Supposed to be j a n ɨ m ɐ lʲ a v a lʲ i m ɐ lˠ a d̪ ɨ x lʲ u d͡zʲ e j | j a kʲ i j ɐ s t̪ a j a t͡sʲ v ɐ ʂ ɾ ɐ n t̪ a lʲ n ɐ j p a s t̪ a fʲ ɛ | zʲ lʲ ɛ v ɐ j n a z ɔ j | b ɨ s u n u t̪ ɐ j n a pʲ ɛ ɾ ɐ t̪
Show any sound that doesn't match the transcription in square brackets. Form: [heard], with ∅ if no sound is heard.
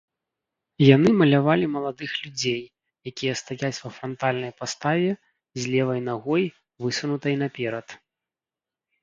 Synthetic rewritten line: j a n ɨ m ɐ lʲ a v a lʲ i m ɐ lˠ a d̪ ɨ x lʲ u d͡zʲ e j | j a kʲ i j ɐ s t̪ a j a t͡sʲ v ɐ [f] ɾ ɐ n t̪ a lʲ n ɐ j p a s t̪ a [vʲ] ɛ | zʲ lʲ ɛ v ɐ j n a [ɣ] ɔ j | [v] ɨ s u n u t̪ ɐ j n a pʲ ɛ ɾ ɐ t̪